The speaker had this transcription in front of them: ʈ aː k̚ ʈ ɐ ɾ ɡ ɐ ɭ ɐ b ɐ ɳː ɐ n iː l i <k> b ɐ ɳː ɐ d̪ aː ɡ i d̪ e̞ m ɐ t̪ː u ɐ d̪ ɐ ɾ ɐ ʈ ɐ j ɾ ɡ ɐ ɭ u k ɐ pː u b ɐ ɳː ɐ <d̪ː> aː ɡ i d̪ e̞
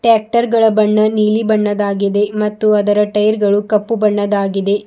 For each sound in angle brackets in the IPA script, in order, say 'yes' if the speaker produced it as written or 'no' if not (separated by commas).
no, no